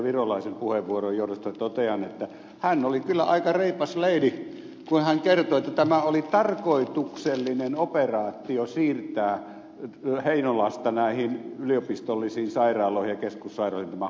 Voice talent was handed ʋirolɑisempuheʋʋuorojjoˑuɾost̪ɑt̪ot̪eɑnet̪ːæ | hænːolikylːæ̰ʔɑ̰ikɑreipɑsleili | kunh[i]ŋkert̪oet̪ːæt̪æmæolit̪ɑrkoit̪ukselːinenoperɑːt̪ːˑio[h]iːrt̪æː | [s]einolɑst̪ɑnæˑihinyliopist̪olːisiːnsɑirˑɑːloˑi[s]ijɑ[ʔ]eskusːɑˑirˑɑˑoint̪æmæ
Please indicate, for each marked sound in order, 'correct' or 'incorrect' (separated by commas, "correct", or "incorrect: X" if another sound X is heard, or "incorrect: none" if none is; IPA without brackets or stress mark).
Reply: incorrect: æ, incorrect: s, incorrect: h, incorrect: h, incorrect: k